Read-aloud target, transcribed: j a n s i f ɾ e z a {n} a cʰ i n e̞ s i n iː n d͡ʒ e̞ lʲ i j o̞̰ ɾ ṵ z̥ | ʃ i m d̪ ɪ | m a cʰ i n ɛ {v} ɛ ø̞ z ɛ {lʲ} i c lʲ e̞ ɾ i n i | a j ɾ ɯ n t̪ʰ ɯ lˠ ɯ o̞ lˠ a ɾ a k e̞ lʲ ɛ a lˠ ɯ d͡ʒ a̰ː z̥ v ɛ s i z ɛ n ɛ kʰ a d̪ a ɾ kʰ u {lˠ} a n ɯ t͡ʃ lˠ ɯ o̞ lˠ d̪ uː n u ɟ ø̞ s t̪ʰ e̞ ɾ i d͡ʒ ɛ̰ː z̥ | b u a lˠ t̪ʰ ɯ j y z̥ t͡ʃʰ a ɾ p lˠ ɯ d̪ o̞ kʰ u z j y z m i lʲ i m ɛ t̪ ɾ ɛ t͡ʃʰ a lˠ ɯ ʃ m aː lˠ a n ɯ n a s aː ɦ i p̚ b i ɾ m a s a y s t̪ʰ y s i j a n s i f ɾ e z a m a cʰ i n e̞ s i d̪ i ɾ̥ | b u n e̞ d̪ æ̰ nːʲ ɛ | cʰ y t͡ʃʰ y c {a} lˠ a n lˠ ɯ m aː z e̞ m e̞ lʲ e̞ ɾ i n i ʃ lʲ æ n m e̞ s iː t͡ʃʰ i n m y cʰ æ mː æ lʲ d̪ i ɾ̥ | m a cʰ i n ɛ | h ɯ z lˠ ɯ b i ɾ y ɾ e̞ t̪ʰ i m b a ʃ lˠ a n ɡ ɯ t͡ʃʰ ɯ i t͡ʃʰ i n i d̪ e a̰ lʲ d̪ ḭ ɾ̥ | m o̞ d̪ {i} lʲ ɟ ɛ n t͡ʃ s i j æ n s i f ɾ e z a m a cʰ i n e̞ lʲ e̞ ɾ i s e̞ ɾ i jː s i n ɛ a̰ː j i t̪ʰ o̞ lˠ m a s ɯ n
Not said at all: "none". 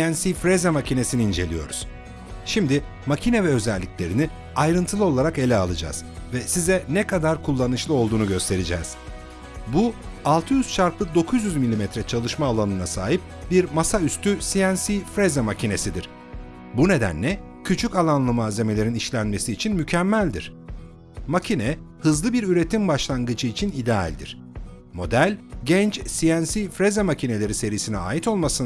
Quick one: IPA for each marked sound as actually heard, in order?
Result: m, v, lʲː, lˠː, a, æ

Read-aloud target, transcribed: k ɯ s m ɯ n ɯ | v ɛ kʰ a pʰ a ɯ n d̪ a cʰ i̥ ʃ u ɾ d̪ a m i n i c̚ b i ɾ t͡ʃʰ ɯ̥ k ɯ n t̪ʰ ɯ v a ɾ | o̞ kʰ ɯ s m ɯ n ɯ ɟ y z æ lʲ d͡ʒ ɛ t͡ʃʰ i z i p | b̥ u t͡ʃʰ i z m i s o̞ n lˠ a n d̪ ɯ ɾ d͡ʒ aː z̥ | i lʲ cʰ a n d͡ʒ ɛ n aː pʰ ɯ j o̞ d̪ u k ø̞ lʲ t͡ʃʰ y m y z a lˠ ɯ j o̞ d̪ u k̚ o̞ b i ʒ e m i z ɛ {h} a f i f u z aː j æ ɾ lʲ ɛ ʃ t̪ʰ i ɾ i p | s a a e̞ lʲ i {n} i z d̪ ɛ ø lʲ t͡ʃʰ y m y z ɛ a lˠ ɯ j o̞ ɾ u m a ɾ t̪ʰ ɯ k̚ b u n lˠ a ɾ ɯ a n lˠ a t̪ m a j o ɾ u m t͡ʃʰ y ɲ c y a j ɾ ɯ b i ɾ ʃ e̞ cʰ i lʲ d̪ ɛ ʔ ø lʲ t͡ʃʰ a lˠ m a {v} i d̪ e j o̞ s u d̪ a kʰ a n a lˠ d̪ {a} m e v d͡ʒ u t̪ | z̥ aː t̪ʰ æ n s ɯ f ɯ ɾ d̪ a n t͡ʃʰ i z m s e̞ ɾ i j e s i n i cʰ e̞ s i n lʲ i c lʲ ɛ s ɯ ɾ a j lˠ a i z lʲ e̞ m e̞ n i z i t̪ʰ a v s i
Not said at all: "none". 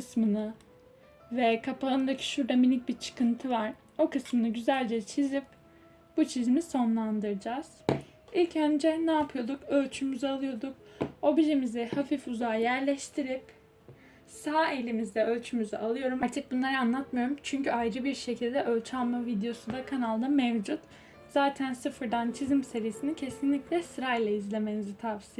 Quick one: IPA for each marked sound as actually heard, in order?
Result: h, m, v, a

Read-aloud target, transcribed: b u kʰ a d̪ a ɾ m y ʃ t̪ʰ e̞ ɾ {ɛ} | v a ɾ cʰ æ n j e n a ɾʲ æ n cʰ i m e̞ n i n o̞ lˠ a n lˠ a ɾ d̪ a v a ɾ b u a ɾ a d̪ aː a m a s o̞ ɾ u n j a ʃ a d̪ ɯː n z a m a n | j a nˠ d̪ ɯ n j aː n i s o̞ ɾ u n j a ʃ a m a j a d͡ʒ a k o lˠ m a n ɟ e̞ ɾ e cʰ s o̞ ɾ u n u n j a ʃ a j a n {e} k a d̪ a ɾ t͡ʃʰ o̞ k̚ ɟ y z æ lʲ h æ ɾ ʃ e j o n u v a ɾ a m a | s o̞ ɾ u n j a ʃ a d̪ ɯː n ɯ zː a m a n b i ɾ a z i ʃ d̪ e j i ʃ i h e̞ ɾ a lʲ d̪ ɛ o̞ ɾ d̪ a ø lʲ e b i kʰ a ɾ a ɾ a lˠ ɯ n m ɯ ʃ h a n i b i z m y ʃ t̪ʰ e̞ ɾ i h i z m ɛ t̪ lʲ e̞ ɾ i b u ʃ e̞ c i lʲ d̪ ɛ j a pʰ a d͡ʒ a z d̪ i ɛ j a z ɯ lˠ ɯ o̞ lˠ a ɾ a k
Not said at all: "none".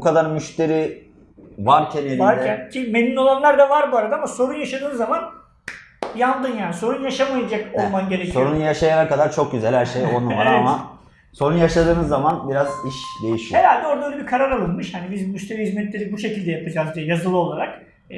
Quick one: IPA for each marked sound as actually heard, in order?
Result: i, a

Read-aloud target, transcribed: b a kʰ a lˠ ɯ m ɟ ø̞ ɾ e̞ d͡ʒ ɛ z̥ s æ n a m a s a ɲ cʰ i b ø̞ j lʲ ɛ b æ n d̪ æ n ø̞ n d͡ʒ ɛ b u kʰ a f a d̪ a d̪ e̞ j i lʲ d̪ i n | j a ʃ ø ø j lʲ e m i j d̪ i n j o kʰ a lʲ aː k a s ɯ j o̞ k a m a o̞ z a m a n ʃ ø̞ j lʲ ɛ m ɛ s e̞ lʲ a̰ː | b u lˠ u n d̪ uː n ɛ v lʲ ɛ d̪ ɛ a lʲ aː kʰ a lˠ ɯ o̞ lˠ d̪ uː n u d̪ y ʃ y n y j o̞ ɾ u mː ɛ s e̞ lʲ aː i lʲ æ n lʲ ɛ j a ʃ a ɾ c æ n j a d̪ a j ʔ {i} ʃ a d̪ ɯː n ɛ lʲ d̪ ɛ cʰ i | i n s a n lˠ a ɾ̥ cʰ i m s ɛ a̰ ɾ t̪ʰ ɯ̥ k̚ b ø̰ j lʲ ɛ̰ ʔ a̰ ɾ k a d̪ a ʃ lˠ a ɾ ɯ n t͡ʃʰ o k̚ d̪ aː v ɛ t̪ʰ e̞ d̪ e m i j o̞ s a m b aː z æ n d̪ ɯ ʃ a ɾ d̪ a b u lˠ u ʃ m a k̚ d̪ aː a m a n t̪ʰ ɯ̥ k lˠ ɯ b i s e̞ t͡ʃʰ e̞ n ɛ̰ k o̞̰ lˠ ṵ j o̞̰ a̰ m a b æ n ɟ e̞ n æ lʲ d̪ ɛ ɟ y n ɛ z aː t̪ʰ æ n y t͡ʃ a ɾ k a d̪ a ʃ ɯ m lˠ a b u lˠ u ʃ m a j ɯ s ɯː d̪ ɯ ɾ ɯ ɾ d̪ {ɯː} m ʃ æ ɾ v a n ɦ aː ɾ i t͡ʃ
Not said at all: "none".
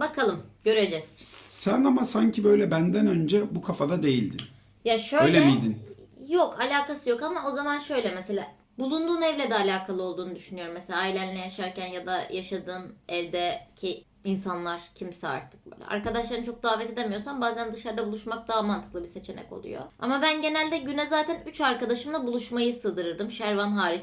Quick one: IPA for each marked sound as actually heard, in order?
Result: a, ɯ

